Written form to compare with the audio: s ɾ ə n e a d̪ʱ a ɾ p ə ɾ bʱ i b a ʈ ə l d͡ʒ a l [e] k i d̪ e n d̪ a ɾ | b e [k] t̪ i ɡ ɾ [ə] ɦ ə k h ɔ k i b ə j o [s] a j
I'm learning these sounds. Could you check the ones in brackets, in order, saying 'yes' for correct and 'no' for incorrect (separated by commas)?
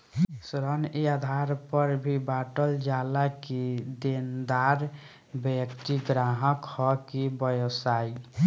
no, yes, no, yes